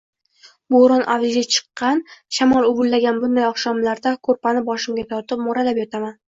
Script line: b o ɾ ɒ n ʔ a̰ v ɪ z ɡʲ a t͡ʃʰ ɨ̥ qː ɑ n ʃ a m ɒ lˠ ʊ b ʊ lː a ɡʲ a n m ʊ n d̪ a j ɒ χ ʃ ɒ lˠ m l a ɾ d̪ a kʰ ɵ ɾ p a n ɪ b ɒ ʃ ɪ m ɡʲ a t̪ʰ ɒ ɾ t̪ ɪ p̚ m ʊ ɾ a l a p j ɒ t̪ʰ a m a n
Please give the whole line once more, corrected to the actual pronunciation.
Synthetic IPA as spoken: b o ɾ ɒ n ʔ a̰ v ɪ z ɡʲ a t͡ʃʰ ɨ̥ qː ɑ n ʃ a m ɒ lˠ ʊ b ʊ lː a ɡʲ a n b ʊ n d̪ a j ɒ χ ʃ ɒ m l a ɾ d̪ a kʰ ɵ ɾ p a n ɪ b ɒ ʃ ɪ m ɡʲ a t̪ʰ ɒ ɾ t̪ ɪ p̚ m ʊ ɾ a l a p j ɒ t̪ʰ a m a n

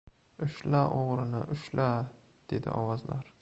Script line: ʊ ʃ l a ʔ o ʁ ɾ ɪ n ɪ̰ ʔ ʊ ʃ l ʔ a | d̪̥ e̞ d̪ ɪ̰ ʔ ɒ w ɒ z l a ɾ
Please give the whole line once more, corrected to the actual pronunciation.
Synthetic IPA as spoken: ʊ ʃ l a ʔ o ʁ ɾ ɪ n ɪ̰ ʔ ʊ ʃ l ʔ a | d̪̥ e̞ d̪ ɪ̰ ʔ ɒ w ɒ z l a ɾ

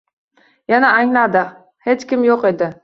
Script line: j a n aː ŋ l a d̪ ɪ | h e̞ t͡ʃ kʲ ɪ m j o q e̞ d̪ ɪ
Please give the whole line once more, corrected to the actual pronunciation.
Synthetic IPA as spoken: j a n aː ŋ l a d̪ ɪ | h e̞ t͡ʃ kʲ ɪ m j o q e̞ d̪ ɪ

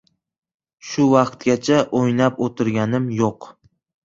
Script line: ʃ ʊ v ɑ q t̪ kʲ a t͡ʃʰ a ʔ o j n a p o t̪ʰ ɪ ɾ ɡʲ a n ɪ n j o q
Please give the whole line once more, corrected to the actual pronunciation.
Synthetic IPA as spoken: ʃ ʊ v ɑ q t̪ ɡʲ a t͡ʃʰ a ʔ o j n a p o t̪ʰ ɪ ɾ ɡʲ a n ɪ m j o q

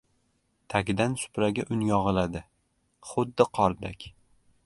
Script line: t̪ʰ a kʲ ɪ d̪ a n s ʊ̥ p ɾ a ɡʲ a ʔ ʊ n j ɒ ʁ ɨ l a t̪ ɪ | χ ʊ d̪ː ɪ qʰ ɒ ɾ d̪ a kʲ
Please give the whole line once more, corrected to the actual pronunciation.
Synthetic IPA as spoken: t̪ʰ a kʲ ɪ d̪ a n s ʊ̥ p ɾ a ɡʲ a ʔ ʊ n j ɒ ʁ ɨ l a d̪ ɪ | χ ʊ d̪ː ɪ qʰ ɒ ɾ d̪ a kʲ

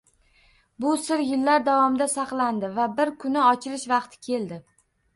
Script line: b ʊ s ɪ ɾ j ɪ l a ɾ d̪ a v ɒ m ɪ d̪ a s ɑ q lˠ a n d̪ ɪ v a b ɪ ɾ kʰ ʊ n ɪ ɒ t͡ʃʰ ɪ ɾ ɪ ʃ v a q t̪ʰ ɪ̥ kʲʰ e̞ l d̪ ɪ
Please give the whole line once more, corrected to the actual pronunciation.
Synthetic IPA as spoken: b ʊ s ɪ ɾ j ɪ lː a ɾ d̪ a v ɒ m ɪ d̪ a s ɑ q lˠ a n d̪ ɪ v a b ɪ ɾ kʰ ʊ n ɪ ɒ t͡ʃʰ ɪ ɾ ɪ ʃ v ɑ q t̪ʰ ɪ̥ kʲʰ e̞ l d̪ ɪ

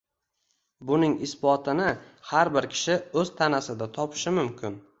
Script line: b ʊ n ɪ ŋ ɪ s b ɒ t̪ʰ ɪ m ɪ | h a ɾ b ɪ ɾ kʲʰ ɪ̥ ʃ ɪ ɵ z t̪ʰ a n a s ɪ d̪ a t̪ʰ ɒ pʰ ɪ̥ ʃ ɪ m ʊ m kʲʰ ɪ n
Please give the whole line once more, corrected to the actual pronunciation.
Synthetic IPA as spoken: b ʊ n ɪ ŋ ɪ s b ɒ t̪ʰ ɪ n ɪ | h a ɾ b ɪ ɾ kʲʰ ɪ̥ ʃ ɪ ɵ z t̪ʰ a n a s ɪ d̪ a t̪ʰ ɒ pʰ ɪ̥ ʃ ɪ m ʊ m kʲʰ ɪ n

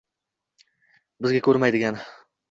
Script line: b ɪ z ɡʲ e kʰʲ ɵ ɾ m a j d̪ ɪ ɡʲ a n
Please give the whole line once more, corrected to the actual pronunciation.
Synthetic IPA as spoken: b ɪ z ɡʲ a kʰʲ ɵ ɾ m a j d̪ ɪ ɡʲ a n

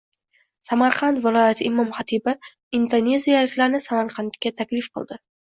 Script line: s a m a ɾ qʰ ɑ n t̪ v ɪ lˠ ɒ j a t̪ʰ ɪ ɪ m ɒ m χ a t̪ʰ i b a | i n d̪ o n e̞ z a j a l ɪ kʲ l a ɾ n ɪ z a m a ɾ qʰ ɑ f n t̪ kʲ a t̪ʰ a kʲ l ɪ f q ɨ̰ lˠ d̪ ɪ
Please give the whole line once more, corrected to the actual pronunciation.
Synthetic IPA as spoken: s a m a ɾ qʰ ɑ n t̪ v ɪ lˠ ɒ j a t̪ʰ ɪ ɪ m ɒ m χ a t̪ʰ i b a | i n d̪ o n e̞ z i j a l ɪ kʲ l a ɾ n ɪ s a m a ɾ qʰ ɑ n t̪ kʲ a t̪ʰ a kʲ l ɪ f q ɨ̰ lˠ d̪ ɪ

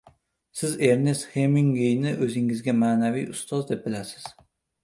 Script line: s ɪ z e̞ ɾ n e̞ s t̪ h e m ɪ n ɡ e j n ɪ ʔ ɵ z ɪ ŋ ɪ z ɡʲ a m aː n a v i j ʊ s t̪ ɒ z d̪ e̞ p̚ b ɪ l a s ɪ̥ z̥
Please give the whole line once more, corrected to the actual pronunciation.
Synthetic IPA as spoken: s ɪ z e̞ ɾ n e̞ s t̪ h e m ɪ ŋ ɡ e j n ɪ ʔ ɵ z ɪ ŋ ɪ z ɡʲ a m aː n a v i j ʊ s t̪ ɒ z d̪ e̞ p̚ b ɪ l a s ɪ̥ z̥

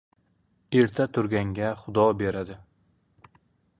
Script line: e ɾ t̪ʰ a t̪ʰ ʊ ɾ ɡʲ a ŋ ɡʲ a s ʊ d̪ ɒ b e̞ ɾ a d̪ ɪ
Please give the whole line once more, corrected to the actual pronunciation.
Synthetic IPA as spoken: e ɾ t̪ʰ a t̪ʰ ʊ ɾ ɡʲ a ŋ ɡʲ a χ ʊ d̪ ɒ b e̞ ɾ a d̪ ɪ

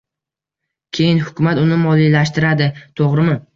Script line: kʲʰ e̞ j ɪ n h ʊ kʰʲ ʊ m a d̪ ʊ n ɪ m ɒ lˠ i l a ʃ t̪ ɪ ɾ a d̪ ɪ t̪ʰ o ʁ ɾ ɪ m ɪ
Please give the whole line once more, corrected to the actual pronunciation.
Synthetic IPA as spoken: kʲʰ e̞ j ɪ n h ʊ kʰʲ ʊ m a t̪ ʊ n ɪ m ɒ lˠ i l a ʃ t̪ ɪ ɾ a d̪ ɪ t̪ʰ o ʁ ɾ ɪ m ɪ

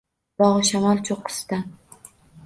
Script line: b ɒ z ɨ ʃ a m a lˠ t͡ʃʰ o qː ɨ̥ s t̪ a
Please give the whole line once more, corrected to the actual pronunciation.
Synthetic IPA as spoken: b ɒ ʁ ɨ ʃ a m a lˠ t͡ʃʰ o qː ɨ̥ s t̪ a

